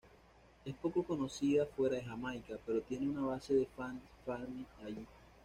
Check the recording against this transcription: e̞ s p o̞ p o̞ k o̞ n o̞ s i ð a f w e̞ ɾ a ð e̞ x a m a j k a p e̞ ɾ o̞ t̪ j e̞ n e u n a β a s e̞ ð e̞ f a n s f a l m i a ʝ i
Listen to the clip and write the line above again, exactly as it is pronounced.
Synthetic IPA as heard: e̞ s p o̞ k o̞ k o̞ n o̞ s i ð a f w e̞ ɾ a ð e̞ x a m a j k a p e̞ ɾ o̞ t̪ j e̞ n e u n a β a s e̞ ð e̞ f a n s f a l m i a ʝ i

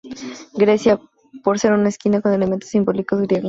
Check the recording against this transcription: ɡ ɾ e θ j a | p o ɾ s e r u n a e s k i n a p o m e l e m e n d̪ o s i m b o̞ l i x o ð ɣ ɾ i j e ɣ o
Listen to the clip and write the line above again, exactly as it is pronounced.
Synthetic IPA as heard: ɡ ɾ e s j a | p o ɾ s e ɾ u n a e s k i n a k o n e l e m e n t̪ o s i m b o̞ l i k o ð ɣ ɾ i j e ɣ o

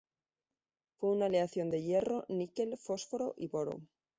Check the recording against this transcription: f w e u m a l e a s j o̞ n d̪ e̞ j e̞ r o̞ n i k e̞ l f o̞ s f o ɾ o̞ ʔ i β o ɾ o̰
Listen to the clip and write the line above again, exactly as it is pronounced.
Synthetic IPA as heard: f w e u n a l e a θ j o̞ n d̪ e̞ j e̞ r o̞ n i k e̞ l f o̞ s f o ɾ o̞ ʔ i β o ɾ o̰

